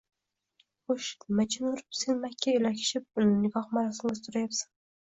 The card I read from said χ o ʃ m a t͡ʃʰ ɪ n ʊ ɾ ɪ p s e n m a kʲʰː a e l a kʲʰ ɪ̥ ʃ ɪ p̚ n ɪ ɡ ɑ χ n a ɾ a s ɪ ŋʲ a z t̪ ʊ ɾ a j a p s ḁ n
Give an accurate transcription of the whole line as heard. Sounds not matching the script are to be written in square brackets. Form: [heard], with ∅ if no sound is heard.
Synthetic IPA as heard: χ o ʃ m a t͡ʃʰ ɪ n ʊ ɾ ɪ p s e n m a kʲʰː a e l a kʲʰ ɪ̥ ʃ ɪ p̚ n ɪ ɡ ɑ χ [m] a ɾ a s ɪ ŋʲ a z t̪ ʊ ɾ a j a p s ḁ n